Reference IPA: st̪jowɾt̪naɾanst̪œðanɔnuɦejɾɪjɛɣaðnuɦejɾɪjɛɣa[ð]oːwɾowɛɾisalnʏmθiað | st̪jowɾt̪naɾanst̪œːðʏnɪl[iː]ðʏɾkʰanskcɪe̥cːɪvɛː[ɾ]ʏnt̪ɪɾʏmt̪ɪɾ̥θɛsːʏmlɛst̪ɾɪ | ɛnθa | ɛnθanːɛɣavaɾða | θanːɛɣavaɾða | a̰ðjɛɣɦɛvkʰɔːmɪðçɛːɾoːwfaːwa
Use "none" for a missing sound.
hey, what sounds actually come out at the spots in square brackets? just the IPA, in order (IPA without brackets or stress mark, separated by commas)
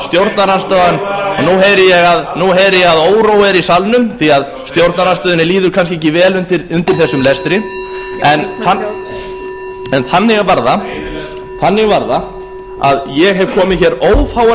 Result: ð, iː, l